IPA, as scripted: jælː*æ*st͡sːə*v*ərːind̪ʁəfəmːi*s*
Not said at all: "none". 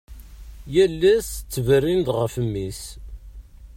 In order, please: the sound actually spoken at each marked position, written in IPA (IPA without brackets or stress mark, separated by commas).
æ, v, s